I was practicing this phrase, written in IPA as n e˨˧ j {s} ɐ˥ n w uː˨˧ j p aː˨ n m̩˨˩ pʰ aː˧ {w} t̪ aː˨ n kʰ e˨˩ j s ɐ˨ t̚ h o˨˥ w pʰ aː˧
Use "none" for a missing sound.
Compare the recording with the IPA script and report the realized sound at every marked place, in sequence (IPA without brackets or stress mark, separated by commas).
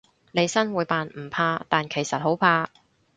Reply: s, none